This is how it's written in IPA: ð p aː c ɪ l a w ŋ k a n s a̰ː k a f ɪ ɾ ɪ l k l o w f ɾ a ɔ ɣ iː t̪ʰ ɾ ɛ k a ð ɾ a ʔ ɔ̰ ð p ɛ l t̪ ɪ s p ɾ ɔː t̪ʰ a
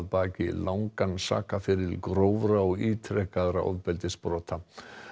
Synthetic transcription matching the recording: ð p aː c ɪ l a w ŋ k a n s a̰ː k a f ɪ ɾ ɪ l k ɾ o w v ɾ a ɔ ɣ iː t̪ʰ ɾ ɛ k a ð ɾ a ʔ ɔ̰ ð p ɛ l t̪ ɪ s p ɾ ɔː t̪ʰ a